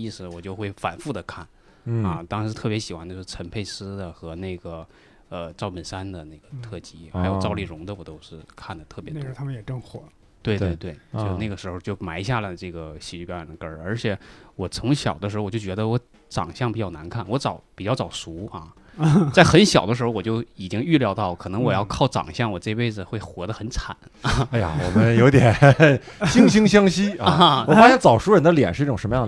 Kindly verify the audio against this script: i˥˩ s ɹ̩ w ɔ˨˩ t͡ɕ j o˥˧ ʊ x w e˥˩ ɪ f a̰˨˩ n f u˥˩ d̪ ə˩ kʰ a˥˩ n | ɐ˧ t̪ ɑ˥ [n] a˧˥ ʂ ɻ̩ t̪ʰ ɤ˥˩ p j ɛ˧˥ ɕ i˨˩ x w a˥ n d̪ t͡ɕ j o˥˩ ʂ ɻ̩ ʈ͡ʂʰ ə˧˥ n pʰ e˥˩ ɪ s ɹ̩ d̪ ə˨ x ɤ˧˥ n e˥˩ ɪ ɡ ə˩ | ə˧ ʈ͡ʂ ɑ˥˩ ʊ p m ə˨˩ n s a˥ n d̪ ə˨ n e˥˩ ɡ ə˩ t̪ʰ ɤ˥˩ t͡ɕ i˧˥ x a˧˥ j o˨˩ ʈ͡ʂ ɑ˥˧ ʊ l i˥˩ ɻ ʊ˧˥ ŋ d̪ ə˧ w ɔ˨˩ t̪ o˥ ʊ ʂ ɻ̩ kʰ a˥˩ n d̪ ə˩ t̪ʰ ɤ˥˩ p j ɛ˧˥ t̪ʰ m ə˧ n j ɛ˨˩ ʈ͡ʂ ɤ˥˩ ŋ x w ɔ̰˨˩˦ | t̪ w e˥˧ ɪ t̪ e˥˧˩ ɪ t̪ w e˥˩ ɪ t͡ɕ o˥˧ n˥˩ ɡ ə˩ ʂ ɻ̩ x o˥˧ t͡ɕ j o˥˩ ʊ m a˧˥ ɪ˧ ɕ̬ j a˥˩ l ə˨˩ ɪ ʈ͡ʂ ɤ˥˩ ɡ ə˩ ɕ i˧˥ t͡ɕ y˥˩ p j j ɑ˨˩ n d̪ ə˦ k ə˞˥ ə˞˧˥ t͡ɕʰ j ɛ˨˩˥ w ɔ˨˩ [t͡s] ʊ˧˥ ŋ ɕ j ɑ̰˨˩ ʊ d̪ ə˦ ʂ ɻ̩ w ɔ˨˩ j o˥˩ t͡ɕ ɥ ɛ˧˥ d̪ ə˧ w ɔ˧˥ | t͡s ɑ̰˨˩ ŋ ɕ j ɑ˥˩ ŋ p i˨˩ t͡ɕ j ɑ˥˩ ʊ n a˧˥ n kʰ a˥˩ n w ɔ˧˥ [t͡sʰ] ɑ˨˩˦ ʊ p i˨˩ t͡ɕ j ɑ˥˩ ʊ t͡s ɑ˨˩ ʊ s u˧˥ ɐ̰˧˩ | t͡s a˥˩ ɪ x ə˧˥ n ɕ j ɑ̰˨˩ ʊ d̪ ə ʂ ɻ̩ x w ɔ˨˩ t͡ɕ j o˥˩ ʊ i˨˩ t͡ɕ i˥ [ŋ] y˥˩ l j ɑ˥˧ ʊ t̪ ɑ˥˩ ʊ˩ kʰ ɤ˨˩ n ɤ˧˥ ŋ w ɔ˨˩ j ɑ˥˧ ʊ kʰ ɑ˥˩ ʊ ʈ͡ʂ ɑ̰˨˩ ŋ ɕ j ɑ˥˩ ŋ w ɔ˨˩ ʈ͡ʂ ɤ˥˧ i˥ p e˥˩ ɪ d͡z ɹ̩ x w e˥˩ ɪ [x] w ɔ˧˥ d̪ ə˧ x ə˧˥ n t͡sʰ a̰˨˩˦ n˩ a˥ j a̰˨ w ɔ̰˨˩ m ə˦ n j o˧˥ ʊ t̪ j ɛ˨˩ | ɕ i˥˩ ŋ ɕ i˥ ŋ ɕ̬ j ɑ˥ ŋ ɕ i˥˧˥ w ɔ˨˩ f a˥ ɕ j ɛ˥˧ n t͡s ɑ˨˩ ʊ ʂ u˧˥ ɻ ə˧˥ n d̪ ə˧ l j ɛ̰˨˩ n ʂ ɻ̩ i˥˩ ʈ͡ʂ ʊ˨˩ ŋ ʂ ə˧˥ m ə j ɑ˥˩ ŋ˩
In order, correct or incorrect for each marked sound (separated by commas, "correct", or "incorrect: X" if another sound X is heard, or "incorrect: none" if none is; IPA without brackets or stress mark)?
incorrect: ŋ, incorrect: t͡sʰ, incorrect: t͡s, correct, correct